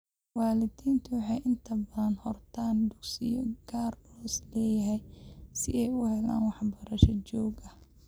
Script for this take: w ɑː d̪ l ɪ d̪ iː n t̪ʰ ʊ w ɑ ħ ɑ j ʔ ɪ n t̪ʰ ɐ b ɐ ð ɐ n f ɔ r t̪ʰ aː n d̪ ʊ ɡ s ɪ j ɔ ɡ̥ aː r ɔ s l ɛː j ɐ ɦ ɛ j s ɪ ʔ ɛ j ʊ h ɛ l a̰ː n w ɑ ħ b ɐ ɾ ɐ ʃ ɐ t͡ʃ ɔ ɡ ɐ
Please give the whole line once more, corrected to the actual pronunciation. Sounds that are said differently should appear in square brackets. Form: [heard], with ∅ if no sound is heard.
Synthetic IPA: w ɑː [∅] l ɪ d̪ iː n t̪ʰ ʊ w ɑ ħ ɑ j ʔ ɪ n t̪ʰ ɐ b ɐ ð ɐ n [h] ɔ r t̪ʰ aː n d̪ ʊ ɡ s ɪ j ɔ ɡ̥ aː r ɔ s l ɛː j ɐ ɦ ɛ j s ɪ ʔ ɛ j ʊ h ɛ l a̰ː n w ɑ ħ b ɐ ɾ ɐ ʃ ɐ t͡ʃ [ɔː] ɡ ɐ